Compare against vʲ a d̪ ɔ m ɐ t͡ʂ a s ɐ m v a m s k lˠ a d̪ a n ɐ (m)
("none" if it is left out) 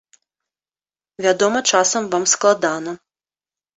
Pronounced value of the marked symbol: none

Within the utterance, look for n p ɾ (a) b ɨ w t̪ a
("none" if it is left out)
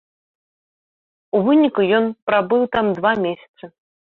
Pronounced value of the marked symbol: a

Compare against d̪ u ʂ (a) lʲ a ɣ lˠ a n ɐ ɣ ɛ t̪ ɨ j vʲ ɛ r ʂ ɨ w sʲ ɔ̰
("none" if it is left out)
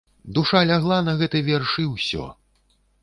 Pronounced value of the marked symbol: a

